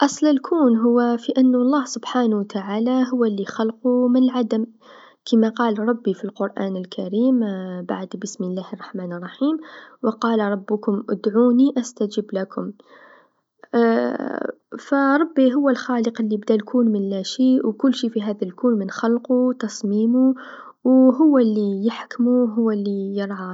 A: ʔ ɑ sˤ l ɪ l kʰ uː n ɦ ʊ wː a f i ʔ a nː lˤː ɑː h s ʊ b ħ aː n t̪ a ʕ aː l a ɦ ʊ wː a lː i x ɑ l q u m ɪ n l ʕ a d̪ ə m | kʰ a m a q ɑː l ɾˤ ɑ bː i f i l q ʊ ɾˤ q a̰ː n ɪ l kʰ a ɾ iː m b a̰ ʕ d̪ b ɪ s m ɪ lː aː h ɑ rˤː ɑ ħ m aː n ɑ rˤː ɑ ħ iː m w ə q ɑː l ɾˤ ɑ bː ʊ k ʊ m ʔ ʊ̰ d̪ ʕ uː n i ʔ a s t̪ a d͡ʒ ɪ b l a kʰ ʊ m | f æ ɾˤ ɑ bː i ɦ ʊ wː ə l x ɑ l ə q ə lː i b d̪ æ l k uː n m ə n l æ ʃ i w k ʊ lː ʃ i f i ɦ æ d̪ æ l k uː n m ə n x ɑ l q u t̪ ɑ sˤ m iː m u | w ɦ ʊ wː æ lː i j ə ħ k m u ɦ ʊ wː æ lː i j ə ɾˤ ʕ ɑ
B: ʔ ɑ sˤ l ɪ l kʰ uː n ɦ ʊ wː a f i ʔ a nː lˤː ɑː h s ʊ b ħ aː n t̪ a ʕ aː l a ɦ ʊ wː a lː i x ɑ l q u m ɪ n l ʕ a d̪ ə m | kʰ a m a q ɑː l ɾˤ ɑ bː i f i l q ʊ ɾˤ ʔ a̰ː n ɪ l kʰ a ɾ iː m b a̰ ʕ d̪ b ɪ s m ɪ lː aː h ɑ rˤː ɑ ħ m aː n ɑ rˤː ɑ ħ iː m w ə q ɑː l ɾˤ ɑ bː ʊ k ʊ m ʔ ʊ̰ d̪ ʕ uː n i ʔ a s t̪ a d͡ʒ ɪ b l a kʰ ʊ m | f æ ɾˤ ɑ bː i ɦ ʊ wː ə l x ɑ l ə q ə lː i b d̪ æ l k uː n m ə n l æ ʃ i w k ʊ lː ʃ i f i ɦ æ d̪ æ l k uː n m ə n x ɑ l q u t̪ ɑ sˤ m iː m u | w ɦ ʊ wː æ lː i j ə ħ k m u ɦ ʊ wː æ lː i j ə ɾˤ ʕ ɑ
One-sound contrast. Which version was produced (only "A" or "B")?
B